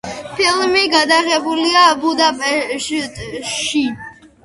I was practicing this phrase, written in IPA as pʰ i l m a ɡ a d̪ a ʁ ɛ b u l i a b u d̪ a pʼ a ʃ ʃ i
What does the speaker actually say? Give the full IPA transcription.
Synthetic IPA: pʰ i l m i ɡ a d̪ a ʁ ɛ b u l i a b u d̪ a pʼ ɛ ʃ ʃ i